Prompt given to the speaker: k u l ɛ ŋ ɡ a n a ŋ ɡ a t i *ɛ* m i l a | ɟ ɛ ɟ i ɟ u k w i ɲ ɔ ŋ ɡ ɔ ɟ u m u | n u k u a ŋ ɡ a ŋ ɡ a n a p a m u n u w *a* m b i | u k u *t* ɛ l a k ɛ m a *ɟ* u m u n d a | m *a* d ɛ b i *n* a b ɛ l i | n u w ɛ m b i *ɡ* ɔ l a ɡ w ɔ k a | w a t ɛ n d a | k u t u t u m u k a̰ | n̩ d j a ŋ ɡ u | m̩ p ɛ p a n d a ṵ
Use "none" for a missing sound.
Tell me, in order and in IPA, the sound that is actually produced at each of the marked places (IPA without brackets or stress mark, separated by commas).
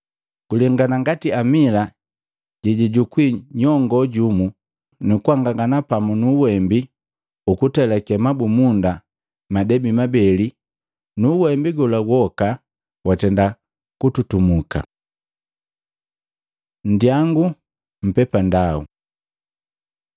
a, ɛ, t, b, a, m, ɡ